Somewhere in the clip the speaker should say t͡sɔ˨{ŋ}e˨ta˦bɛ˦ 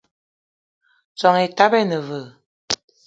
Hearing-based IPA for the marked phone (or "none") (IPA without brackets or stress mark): ŋ